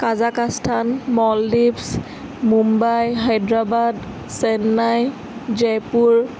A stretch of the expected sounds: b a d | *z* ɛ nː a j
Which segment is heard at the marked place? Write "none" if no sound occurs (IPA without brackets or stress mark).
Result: s